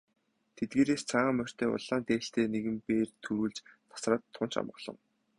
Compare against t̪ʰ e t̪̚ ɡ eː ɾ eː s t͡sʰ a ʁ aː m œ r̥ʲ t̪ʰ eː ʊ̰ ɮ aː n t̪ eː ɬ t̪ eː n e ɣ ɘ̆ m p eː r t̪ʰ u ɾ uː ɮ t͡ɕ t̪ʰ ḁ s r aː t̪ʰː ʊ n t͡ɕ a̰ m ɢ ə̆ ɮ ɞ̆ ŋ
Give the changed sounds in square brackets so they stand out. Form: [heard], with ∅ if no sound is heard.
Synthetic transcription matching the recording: t̪ʰ e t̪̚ ɡ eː ɾ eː s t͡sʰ a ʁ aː m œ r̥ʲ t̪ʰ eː ʊ̰ ɮ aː n t̪ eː ɬ t̪ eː n e ɣ ɘ̆ m p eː r t̪ʰ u ɾ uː ɮ t͡ɕ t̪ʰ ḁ s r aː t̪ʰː ʊ n t͡ɕ a̰ m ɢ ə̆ ɮ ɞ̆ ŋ